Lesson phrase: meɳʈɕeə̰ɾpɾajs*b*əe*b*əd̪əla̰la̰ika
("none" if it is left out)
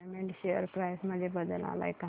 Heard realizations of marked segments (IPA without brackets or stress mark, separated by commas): m, b